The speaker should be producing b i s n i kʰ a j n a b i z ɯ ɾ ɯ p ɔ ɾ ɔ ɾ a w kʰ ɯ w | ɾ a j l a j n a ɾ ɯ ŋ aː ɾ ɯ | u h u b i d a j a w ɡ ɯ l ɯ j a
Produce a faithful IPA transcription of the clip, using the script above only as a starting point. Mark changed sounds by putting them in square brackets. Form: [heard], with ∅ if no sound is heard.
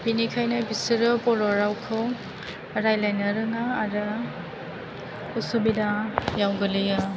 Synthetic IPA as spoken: b i [∅] n i kʰ a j n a b i [s] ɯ ɾ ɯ p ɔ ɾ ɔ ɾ a w kʰ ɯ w | ɾ a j l a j n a ɾ ɯ ŋ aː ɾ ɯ | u [s] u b i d a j a w ɡ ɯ l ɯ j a